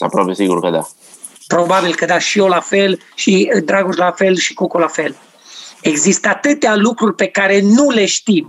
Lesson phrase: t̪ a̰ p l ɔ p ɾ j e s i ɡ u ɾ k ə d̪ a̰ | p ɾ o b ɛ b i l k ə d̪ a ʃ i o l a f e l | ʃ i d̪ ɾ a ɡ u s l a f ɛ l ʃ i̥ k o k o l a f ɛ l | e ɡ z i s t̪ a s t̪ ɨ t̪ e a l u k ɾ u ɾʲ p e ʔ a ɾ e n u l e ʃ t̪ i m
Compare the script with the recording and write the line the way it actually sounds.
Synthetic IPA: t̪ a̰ p ɾ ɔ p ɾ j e s i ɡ u ɾ k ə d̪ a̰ | p ɾ o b a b i l k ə d̪ a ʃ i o l a f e l | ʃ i d̪ ɾ a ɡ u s l a f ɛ l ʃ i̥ k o k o l a f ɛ l | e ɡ z i s t̪ a t̪ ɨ t̪ e a l u k ɾ u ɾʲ p e k a ɾ e n u l e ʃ t̪ i m